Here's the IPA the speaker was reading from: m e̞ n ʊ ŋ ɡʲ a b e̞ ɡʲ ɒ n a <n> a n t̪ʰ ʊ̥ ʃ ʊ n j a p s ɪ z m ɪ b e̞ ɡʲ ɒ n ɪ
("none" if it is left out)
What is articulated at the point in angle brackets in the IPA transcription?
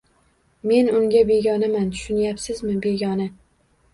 m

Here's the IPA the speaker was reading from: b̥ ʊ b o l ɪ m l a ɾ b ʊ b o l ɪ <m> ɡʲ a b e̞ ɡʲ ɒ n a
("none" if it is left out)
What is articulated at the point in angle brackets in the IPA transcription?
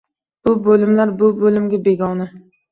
m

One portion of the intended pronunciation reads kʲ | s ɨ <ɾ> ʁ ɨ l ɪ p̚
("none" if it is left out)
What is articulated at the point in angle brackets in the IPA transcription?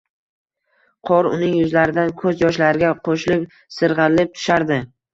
ɾ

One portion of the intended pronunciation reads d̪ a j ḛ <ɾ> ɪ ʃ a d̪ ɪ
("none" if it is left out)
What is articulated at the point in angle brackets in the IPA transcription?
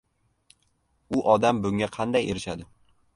ɾ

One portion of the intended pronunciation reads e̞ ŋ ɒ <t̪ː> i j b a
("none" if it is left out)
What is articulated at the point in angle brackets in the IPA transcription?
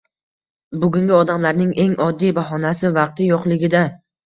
d̪ː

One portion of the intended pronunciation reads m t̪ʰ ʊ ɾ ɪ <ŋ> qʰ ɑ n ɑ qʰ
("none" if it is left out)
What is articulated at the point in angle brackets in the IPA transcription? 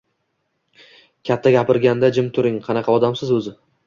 ŋ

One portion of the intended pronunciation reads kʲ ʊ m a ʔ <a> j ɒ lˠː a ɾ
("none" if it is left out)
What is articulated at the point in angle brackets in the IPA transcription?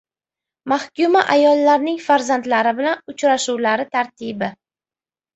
a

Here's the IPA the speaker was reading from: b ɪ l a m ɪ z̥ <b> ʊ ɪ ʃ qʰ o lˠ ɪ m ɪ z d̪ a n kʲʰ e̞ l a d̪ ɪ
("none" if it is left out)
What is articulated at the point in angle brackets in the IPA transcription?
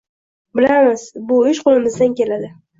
b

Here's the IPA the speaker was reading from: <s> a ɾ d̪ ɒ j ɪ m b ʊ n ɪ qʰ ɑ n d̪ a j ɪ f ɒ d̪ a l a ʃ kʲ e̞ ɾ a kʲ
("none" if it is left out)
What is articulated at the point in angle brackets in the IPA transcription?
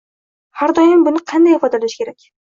h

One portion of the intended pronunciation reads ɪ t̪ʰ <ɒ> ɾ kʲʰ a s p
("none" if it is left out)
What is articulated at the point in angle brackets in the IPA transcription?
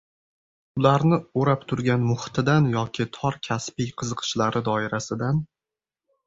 ɒ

